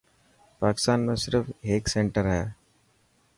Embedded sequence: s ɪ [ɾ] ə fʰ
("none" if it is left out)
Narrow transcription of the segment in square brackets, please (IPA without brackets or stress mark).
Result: ɾ